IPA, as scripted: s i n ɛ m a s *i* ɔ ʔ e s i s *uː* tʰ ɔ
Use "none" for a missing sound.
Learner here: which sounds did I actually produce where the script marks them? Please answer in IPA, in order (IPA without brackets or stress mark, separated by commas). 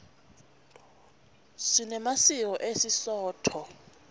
i, ɔː